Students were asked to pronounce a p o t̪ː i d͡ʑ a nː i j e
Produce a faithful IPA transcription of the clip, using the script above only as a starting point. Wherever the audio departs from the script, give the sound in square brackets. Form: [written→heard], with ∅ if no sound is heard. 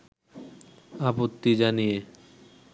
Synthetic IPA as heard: a p o t̪ː i d͡ʑ a [nː→n] i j e